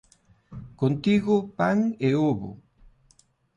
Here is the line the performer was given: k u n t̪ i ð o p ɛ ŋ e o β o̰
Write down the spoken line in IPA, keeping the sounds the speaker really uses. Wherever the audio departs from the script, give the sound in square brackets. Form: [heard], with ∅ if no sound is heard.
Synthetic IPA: k [o] n t̪ i [ɣ] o p [a] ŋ e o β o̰